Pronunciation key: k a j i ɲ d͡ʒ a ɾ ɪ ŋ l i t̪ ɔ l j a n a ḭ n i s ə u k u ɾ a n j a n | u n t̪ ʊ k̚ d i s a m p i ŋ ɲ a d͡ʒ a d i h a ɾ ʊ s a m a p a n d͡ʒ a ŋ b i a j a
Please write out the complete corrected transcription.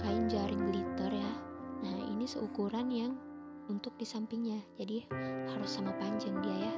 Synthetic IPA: k a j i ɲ d͡ʒ a ɾ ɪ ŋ l i t̪ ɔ r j a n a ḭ n i s ə u k u ɾ a n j a ŋ | u n t̪ ʊ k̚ d i s a m p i ŋ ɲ a d͡ʒ a d i h a ɾ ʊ s a m a p a ɲ d͡ʒ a ŋ d i a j a